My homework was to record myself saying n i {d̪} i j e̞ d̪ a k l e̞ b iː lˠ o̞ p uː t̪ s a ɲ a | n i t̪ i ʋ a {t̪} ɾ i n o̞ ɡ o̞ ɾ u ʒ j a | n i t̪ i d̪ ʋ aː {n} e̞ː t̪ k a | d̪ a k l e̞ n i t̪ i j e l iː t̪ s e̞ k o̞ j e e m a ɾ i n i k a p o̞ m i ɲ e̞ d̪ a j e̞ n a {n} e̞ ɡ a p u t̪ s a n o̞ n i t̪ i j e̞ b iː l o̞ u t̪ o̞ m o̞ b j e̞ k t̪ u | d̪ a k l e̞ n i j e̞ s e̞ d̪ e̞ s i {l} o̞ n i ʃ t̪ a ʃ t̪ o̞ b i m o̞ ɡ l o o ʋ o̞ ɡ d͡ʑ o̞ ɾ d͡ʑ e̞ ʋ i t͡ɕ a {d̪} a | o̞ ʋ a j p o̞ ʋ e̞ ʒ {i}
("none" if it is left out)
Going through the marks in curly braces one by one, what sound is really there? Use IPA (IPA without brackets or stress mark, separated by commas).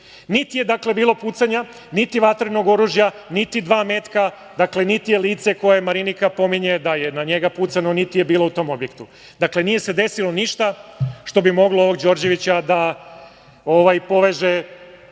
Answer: t̪, t̪, m, ɲ, l, d̪, e